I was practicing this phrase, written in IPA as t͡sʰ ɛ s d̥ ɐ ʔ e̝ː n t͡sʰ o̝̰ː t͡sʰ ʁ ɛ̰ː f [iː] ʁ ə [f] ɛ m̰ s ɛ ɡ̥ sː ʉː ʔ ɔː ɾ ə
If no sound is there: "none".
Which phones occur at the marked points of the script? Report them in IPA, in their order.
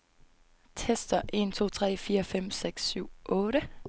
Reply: iː, f

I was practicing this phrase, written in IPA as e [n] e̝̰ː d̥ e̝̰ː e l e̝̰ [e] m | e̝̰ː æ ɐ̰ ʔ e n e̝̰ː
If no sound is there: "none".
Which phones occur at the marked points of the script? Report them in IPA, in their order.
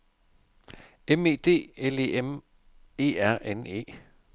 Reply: m, e

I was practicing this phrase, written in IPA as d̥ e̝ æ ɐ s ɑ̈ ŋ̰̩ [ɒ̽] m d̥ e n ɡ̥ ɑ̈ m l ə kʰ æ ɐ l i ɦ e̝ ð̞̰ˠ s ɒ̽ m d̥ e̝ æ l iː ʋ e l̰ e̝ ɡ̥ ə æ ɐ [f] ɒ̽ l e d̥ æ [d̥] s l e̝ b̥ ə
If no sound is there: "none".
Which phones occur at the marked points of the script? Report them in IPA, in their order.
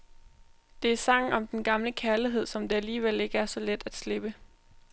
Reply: ɒ̽, s, d̥

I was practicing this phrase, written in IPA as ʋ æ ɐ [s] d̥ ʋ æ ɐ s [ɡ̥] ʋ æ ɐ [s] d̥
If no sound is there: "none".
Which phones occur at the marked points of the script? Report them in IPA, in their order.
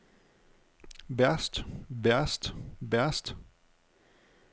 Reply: s, d̥, s

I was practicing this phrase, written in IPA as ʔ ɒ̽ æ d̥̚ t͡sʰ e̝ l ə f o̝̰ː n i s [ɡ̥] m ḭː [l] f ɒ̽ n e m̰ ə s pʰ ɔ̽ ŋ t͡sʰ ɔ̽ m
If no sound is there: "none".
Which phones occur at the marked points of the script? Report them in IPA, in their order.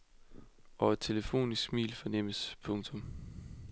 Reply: ɡ̥, l

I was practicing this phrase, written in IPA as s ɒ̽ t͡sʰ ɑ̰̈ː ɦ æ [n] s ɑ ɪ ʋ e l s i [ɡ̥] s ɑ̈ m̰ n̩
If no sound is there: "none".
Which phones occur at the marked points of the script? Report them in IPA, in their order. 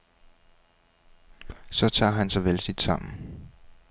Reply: n, d̥

